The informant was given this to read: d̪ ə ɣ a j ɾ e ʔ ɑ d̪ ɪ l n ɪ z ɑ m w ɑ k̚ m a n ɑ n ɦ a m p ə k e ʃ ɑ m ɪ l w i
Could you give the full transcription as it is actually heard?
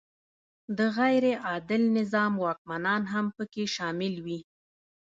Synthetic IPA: d̪ ə ɣ a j ɾ e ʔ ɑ d̪ ɪ l n ɪ z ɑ m w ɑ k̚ m a n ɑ n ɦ a m p ə k e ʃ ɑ m ɪ l w i